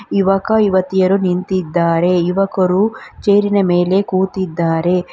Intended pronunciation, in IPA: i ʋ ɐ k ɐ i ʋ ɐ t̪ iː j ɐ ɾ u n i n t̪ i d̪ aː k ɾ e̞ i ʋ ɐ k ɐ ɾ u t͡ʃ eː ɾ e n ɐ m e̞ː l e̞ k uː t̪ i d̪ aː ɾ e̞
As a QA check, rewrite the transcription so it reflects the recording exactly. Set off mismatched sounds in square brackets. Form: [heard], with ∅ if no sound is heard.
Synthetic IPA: i ʋ ɐ k ɐ i ʋ ɐ t̪ [i] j ɐ ɾ u n i n t̪ i [d̪ː] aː [∅] ɾ e̞ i ʋ ɐ k ɐ ɾ u t͡ʃ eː ɾ [i] n ɐ m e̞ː l e̞ k uː t̪ i [d̪ː] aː ɾ e̞